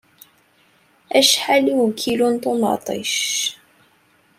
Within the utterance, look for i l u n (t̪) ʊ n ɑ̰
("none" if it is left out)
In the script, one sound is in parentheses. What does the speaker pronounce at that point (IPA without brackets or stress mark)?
t̪